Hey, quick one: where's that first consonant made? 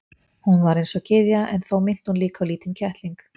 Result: throat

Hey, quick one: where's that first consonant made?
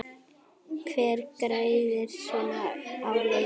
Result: velum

